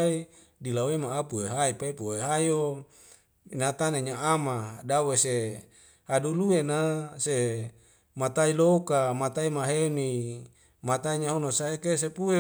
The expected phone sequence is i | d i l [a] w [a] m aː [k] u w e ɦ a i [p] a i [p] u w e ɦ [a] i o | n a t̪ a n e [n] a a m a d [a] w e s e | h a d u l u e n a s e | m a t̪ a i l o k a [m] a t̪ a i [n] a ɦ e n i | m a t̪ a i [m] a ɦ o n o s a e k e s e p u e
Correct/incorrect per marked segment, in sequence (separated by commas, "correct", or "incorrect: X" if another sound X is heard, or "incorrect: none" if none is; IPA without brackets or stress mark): correct, incorrect: e, incorrect: p, correct, correct, correct, incorrect: ɲ, correct, correct, incorrect: m, incorrect: ɲ